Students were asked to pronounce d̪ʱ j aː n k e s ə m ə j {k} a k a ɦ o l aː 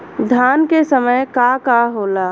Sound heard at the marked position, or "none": k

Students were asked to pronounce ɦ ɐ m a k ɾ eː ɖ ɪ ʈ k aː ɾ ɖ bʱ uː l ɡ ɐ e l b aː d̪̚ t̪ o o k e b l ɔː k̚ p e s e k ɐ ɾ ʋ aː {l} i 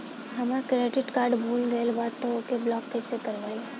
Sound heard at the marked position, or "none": none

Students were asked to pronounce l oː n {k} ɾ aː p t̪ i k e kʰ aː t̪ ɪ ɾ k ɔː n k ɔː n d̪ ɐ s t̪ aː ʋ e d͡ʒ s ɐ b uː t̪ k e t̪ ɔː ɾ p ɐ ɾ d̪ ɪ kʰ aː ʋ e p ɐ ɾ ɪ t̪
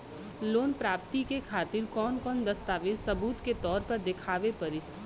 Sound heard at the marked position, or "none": p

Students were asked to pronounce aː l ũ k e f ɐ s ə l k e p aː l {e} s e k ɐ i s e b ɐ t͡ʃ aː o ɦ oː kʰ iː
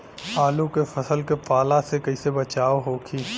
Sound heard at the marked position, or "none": a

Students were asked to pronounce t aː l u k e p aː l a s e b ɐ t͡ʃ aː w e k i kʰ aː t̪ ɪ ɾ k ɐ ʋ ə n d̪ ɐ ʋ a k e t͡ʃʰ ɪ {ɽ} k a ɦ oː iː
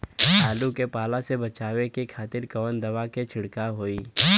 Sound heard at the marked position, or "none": ɽ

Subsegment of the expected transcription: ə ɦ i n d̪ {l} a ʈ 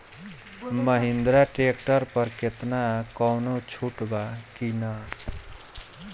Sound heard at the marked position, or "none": ɾ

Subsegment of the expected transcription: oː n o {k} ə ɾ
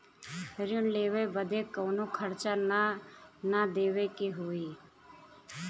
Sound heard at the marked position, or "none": kʰ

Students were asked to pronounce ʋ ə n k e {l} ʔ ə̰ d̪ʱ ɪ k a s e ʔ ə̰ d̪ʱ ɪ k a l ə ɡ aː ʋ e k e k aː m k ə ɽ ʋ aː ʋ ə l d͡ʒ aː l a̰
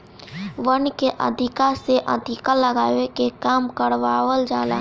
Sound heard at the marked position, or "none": none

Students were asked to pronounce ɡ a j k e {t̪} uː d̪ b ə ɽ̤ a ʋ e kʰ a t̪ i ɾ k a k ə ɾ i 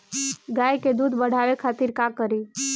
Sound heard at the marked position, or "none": d̪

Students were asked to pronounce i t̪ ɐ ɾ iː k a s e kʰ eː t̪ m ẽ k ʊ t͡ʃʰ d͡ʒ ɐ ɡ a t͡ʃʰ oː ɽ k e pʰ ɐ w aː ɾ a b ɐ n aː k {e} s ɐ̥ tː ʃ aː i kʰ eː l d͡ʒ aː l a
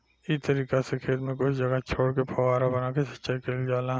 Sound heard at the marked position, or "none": e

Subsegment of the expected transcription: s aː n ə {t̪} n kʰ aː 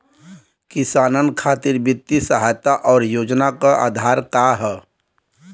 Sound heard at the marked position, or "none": none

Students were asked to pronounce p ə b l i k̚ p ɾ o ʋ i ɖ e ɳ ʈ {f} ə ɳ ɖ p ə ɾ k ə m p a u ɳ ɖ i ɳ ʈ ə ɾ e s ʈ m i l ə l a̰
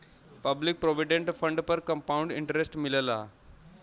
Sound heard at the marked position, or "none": f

